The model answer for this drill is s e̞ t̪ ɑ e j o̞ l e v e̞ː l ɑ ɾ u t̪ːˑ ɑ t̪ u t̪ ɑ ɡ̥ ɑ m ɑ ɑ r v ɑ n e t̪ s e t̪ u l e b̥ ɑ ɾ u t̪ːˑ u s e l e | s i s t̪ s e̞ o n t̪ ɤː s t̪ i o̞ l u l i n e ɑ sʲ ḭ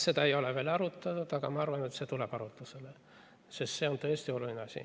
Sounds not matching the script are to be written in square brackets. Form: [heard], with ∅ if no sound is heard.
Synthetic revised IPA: s e̞ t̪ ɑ e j o̞ l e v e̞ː l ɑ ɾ u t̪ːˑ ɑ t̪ u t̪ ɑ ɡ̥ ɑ m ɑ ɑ r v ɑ n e t̪ s e t̪ u l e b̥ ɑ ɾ u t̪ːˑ u s e l e | s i s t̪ s e̞ o n t̪ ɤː s t̪ i o̞ l u l i n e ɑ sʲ ḭ